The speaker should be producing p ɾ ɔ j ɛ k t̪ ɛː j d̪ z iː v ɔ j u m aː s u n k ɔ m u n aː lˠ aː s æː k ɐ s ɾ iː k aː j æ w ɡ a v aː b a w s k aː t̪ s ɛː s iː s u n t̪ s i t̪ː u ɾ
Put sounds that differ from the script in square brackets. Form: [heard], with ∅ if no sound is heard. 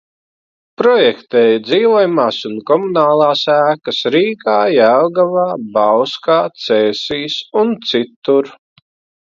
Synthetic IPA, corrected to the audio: p ɾ ɔ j ɛ k t̪ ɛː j d̪ z iː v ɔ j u m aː s u n k ɔ m u n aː lˠ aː s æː k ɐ s ɾ iː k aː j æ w ɡ a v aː b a w s k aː t̪ s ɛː s iː s u n t̪ s i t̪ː u ɾ